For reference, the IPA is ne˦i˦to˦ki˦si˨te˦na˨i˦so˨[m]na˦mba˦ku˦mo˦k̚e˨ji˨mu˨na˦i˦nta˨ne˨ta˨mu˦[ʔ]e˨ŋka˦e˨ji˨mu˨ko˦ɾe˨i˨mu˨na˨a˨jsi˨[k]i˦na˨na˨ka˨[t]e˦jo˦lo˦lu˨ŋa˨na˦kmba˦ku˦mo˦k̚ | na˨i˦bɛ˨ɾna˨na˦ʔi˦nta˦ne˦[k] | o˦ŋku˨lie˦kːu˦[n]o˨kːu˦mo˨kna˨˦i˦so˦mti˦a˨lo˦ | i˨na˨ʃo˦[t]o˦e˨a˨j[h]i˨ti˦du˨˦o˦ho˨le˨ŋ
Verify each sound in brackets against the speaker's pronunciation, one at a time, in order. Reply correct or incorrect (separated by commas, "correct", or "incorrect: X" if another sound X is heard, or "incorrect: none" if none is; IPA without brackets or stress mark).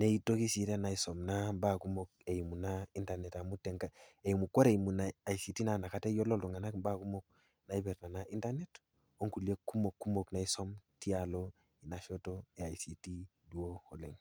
correct, incorrect: t, incorrect: t, correct, incorrect: t, incorrect: m, correct, incorrect: s